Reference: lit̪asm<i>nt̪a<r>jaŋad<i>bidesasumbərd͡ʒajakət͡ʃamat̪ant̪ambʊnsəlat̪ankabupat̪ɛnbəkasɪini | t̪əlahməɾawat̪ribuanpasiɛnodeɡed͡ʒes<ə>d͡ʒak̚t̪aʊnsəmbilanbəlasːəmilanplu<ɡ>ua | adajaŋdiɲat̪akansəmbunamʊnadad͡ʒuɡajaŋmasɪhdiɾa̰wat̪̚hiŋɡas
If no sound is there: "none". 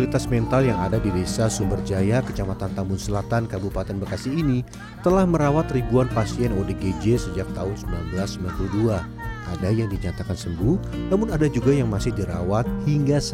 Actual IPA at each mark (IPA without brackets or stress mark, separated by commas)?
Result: ɛ, l, a, ə, d